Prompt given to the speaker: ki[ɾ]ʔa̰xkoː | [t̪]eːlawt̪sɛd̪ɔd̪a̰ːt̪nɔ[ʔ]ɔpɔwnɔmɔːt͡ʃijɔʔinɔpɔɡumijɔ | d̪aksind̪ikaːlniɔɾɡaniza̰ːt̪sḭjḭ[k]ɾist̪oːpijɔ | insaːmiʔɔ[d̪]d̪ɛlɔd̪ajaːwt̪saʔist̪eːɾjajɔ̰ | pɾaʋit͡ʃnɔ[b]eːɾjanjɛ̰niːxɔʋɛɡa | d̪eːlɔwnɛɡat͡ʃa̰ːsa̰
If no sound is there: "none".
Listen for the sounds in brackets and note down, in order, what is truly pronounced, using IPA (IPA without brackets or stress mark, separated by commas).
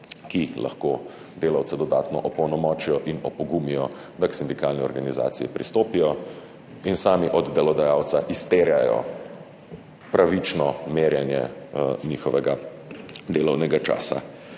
l, d̪, ʔ, p, d̪, m